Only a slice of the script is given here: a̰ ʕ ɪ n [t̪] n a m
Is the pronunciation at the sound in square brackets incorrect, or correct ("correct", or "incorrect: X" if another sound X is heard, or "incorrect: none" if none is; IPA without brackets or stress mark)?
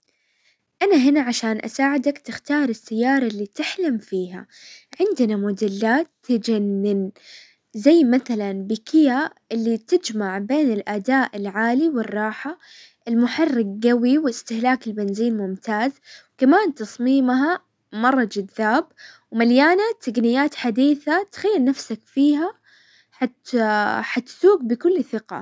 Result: incorrect: d̪